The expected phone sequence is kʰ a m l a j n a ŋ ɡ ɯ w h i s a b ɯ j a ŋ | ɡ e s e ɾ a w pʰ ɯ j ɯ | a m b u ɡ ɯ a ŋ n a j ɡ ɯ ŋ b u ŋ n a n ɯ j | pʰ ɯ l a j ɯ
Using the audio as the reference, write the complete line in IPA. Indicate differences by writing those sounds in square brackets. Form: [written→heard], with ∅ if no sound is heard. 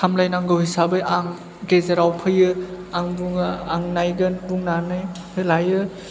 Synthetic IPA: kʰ a m l a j n a ŋ ɡ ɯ w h i s a b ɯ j a ŋ | ɡ e [s→z] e ɾ a w pʰ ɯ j ɯ | a [m→ŋ] b u [ɡ→ŋ] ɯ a ŋ n a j ɡ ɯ [ŋ→n] b u ŋ n a n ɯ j | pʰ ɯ l a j ɯ